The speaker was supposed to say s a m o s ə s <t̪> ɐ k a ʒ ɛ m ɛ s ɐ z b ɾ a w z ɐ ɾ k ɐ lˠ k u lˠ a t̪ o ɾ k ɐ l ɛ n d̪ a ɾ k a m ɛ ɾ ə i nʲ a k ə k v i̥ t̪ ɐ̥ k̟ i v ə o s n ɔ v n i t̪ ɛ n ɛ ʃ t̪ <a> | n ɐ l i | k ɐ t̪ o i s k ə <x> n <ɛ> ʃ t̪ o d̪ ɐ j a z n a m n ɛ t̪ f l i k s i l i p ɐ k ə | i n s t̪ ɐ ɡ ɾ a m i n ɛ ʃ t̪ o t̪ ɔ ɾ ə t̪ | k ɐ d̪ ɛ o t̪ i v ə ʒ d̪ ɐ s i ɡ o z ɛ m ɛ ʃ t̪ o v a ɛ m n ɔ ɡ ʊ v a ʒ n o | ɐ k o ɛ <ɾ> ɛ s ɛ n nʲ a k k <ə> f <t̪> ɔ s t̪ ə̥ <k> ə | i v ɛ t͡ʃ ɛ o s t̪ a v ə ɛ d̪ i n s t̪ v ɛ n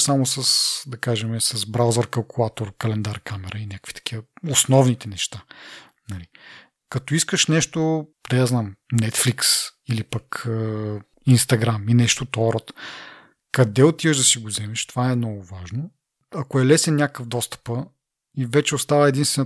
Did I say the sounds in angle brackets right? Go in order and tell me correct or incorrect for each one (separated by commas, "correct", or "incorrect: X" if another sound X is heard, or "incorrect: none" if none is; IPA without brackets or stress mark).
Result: incorrect: d̪, correct, incorrect: ʃ, correct, incorrect: l, correct, incorrect: d̪, incorrect: p